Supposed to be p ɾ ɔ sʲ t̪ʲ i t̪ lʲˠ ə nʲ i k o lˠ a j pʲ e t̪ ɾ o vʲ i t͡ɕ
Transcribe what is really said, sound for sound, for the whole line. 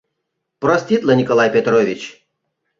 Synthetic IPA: p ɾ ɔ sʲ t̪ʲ i t̪ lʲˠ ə nʲ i k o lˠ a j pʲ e t̪ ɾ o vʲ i t͡ɕ